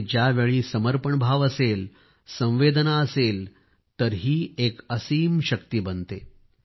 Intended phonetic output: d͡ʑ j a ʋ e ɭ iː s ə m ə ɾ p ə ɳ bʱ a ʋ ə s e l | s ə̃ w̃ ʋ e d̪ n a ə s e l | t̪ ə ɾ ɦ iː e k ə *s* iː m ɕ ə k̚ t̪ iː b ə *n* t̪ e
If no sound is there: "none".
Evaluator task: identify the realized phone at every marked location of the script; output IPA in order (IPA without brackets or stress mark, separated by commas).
s, n